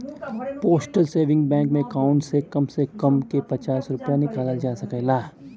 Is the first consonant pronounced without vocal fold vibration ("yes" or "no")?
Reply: yes